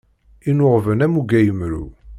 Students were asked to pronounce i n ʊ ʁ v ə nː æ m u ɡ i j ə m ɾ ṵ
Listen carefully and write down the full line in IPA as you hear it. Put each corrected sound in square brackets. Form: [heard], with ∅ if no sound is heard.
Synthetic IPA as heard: i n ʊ ʁ v ə [n] æ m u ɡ [æ] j ə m ɾ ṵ